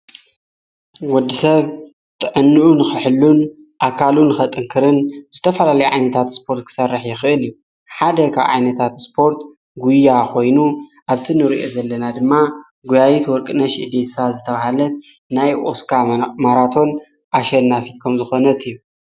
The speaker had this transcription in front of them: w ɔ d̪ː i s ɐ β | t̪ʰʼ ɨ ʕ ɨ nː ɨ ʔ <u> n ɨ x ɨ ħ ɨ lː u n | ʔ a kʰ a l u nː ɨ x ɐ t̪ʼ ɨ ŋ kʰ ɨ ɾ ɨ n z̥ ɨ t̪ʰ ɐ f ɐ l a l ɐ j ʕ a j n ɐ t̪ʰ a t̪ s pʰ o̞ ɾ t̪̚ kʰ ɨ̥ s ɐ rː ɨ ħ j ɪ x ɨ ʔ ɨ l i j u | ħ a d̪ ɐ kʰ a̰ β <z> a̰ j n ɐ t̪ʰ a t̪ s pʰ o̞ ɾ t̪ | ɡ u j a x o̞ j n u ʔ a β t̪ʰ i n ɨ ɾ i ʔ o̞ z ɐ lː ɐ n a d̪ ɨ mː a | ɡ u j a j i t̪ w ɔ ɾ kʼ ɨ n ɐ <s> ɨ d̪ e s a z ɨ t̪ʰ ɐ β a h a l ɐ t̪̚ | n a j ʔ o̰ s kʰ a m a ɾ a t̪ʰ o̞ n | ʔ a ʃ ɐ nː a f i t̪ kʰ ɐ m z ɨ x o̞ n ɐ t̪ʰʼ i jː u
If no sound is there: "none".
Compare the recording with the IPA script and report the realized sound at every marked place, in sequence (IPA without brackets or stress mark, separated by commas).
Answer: u, ʕ, ʃ